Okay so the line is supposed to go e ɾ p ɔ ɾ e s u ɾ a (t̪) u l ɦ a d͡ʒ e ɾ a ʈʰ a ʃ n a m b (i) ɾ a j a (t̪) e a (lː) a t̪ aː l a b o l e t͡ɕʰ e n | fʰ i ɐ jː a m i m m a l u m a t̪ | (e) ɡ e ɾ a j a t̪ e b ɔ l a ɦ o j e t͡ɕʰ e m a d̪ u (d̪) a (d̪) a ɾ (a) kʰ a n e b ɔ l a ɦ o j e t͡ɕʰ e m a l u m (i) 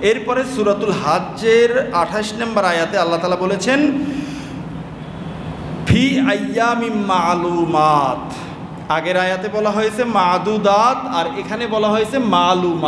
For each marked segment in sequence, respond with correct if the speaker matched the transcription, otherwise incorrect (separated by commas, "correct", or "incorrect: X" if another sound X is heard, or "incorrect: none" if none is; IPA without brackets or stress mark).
correct, incorrect: a, correct, correct, incorrect: a, correct, incorrect: t̪, incorrect: e, incorrect: a